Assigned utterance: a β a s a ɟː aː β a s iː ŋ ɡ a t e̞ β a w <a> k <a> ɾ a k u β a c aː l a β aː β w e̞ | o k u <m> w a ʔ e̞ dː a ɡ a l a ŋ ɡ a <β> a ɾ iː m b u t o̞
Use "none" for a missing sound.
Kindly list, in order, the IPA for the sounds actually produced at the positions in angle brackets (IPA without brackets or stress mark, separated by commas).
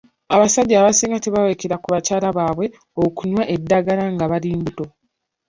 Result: e, e, ɲ, β